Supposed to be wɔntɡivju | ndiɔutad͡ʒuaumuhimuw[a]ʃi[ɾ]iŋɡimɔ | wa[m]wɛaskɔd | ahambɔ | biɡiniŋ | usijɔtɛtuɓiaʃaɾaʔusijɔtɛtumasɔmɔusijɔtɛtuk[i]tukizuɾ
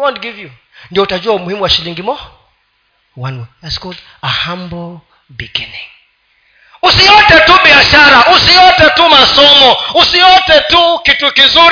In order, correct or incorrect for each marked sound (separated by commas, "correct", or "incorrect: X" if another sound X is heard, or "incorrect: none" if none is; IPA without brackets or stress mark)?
correct, incorrect: l, incorrect: n, correct